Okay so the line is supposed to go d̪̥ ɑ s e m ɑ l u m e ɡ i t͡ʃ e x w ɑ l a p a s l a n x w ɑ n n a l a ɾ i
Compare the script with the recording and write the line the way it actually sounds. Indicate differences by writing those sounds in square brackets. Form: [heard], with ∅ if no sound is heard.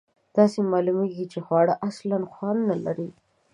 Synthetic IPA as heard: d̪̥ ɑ s e m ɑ l u m e ɡ i t͡ʃ e x w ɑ [ɽ] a [ʔ] a s l a n x w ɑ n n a l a ɾ i